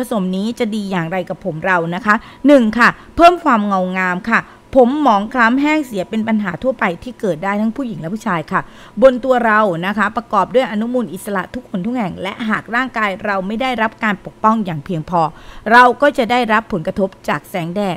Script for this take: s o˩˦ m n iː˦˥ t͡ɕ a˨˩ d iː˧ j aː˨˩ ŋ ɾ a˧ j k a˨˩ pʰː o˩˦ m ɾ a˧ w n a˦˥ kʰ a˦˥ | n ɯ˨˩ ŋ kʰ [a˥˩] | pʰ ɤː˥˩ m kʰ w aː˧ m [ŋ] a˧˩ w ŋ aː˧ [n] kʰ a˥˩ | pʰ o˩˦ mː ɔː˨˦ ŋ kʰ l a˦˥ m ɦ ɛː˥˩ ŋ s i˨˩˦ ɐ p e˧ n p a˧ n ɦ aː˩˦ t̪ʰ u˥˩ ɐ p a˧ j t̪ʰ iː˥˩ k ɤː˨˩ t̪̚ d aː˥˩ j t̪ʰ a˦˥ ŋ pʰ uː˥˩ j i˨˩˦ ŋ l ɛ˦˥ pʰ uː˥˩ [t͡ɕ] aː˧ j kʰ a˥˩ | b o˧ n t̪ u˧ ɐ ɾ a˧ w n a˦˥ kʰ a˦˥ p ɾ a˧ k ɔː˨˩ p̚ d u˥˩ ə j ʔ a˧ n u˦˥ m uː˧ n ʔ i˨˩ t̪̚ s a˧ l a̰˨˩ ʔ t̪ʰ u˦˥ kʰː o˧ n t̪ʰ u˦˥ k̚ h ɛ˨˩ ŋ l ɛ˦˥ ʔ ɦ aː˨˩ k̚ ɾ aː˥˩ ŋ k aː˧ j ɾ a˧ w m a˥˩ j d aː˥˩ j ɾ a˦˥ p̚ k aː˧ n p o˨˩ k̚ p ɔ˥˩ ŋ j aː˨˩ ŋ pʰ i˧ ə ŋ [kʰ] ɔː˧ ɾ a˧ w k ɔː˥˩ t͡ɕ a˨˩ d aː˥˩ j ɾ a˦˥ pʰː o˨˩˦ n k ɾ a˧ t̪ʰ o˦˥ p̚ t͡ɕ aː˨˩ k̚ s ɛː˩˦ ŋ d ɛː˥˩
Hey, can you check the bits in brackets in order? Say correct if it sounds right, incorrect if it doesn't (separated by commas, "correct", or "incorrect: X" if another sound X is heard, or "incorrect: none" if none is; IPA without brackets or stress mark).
correct, correct, incorrect: m, incorrect: t͡ɕʰ, incorrect: pʰ